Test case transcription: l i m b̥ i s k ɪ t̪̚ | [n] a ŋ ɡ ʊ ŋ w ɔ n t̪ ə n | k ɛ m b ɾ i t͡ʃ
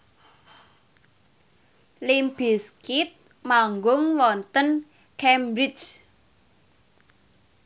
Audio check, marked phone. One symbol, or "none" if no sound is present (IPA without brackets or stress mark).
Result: m